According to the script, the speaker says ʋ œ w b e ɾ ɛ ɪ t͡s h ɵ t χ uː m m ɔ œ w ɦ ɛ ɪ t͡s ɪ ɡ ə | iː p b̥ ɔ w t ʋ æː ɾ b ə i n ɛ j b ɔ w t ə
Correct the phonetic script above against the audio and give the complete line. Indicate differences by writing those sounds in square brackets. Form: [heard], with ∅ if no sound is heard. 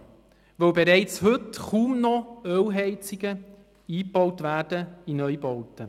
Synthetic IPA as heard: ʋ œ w b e ɾ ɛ ɪ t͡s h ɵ t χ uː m [n] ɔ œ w ɦ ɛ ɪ t͡s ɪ ɡ ə | iː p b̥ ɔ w t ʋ æː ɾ [d] ə i n [œ] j b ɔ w t ə